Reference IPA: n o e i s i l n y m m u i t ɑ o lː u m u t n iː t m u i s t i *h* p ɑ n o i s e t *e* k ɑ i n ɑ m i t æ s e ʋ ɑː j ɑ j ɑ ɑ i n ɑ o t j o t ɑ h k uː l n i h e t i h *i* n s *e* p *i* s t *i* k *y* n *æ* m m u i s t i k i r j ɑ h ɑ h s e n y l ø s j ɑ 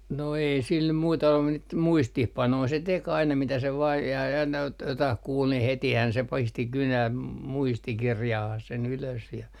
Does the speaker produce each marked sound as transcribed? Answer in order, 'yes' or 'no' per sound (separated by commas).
yes, yes, no, yes, yes, yes, yes, yes